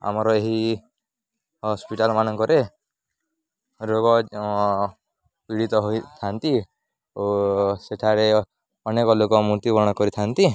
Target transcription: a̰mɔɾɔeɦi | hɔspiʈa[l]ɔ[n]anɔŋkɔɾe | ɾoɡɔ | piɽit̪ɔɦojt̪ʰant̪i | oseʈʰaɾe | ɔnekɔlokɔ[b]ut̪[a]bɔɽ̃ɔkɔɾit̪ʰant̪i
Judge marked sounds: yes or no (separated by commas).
yes, no, no, no